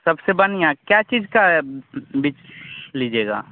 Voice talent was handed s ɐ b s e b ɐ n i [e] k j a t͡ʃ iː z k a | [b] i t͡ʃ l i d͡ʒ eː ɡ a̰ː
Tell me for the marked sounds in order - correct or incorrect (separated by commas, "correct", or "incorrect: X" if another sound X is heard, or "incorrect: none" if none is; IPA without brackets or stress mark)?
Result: incorrect: a, correct